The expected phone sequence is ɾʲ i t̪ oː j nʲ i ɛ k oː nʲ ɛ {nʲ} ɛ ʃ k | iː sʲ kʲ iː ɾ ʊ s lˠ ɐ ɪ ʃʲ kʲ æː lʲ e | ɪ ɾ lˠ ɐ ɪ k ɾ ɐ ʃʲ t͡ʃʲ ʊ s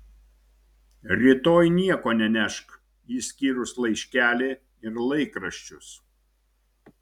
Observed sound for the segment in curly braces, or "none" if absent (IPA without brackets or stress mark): nʲ